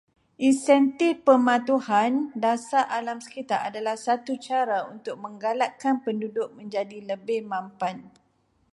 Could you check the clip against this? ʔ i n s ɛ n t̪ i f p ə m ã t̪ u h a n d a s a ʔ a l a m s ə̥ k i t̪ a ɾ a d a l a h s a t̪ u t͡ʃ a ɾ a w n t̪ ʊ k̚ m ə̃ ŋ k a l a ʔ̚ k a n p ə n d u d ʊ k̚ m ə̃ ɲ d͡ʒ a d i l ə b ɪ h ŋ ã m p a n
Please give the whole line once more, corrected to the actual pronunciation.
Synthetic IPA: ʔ i n s ɛ n t̪ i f p ə m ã t̪ u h a n d a s a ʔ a l a m s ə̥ k i t̪ a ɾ a d a l a h s a t̪ u t͡ʃ a ɾ a u n t̪ ʊ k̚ m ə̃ ŋ ɡ a l a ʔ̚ k a n p ə n d u d ʊ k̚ m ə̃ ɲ d͡ʒ a d i l ə b ɪ h m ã m p a n

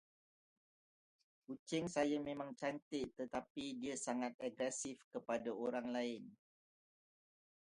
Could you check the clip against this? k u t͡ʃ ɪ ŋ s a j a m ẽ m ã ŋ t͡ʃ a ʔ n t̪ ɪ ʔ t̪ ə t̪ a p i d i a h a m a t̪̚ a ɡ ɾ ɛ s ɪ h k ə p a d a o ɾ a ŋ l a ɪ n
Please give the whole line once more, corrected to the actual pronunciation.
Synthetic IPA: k u t͡ʃ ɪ ŋ s a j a m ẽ m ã ŋ t͡ʃ a n t̪ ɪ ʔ t̪ ə t̪ a p i d i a s a ŋ a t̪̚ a ɡ ɾ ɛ s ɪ f k ə p a d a o ɾ a ŋ l a ɪ n

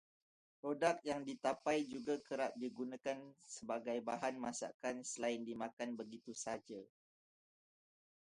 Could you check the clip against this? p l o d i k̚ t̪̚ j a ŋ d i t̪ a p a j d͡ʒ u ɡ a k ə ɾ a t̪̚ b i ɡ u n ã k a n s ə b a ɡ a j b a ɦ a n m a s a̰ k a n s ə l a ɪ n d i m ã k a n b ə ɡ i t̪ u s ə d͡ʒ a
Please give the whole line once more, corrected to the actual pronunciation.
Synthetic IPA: p ɾ o d a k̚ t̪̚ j a ŋ d i t̪ a p a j d͡ʒ u ɡ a k ə ɾ a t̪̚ d i ɡ u n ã k a n s ə b a ɡ a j b a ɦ a n m a s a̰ k a n s ə l a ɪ n d i m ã k a n b ə ɡ i t̪ u s a d͡ʒ a

